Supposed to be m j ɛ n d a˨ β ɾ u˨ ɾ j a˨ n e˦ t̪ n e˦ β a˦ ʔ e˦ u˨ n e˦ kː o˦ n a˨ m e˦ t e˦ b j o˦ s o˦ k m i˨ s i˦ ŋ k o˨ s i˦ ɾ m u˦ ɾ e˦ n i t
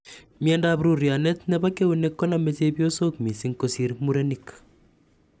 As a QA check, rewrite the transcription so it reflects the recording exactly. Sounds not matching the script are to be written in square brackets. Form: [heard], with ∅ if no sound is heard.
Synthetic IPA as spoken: m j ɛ n d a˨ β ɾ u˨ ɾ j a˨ n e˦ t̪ n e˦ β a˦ [k] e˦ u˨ n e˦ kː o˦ n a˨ m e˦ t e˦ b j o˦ s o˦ k m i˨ s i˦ ŋ k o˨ s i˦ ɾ m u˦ ɾ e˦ n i [k]

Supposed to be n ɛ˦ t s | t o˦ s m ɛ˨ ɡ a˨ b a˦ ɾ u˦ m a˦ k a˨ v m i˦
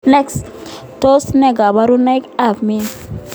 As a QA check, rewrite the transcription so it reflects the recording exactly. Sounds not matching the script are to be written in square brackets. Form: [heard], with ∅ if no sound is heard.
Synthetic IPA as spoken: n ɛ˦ [k] s | t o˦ s [n] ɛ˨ ɡ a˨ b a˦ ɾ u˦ [n] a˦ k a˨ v m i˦

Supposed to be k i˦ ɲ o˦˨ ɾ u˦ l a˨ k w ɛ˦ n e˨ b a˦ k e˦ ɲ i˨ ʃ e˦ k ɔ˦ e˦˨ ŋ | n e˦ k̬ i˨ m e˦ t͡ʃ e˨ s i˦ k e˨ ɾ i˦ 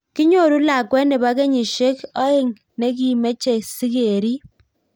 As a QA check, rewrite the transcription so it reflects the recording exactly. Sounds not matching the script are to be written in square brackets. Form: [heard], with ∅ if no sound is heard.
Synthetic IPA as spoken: k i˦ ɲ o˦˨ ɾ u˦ l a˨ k w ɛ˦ n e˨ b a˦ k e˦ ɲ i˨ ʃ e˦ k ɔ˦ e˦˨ ŋ | n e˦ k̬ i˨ m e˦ t͡ʃ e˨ s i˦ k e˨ ɾ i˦

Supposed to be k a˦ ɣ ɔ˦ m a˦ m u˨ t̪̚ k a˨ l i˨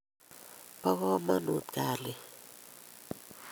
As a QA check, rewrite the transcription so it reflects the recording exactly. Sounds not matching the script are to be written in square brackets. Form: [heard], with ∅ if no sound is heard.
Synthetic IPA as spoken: [p] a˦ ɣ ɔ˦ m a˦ [n] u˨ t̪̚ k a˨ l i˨

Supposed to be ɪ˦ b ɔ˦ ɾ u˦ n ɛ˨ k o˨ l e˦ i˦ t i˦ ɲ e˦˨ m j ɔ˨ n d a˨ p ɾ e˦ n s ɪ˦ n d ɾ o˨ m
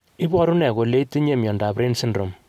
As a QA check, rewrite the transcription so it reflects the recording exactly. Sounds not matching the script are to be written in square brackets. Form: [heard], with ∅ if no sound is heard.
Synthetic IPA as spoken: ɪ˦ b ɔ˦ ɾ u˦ n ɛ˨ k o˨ l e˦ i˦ t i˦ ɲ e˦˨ m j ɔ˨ n d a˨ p ɾ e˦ n s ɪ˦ n d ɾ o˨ m

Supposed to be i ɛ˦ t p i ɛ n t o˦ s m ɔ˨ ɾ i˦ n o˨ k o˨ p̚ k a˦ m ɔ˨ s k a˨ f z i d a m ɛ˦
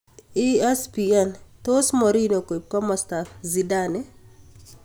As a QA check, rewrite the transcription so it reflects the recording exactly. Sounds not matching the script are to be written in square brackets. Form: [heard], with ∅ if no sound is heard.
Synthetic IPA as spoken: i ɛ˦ [s] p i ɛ n t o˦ s m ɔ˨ ɾ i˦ n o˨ k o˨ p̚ k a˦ m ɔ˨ s [t] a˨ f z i d a [n] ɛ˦

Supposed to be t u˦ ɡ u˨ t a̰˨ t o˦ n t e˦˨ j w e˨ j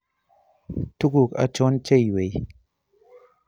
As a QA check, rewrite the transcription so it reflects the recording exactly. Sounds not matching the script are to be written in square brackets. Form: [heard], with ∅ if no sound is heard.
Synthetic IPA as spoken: t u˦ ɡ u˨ [k] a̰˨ [t͡ʃ] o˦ n [t͡ʃ] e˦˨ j w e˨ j

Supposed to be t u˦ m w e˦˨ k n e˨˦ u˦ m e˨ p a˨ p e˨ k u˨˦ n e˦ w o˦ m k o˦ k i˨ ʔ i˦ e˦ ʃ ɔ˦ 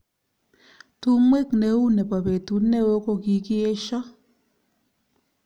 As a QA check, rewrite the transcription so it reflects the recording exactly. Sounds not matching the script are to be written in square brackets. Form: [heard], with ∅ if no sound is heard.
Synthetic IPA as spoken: t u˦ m w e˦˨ k n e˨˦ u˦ [n] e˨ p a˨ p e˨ [t] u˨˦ n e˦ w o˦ [∅] k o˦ k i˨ [k] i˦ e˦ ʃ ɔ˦

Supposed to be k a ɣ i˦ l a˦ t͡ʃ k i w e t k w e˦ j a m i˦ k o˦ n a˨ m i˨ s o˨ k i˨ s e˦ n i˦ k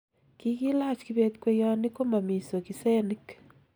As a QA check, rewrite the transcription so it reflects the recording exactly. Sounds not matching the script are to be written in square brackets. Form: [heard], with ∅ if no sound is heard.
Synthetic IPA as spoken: k [i] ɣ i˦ l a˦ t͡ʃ k i [β] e t k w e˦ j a [n] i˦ k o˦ [m] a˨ m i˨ s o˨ k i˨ s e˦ n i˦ k

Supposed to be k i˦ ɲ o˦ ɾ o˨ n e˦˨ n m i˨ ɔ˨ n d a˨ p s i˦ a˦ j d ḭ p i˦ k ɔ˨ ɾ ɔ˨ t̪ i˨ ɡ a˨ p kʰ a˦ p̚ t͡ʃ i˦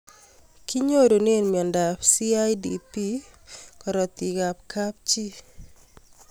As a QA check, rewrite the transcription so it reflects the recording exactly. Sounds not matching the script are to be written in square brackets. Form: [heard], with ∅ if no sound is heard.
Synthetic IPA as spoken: k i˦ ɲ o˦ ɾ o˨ n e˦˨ n m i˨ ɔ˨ n d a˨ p s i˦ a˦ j d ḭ p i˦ k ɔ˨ ɾ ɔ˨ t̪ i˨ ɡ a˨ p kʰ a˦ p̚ t͡ʃ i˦

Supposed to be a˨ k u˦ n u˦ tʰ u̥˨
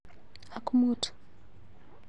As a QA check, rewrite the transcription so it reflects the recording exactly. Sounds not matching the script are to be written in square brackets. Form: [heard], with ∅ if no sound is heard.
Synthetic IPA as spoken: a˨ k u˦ [m] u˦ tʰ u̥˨

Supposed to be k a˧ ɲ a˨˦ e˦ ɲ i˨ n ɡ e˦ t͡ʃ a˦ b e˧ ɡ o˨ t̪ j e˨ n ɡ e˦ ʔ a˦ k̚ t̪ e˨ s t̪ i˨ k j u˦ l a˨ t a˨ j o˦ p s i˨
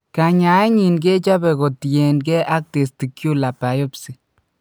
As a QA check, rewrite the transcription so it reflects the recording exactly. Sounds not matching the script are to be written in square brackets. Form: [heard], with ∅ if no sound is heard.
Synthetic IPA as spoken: k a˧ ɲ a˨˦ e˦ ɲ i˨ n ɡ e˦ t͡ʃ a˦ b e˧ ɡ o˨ t̪ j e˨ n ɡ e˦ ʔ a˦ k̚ t̪ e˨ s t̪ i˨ k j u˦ l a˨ [p] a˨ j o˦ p s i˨

